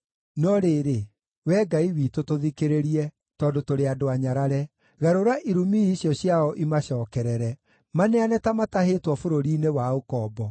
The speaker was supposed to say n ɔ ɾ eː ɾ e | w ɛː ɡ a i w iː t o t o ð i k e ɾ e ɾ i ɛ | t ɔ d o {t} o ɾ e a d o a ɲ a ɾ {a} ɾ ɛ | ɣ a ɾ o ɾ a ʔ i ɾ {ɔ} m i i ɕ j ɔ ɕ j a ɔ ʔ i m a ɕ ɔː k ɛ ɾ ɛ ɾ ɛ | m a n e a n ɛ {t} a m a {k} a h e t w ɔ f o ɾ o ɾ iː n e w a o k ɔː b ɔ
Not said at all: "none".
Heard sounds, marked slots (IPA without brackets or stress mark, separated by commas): t, a, u, t, t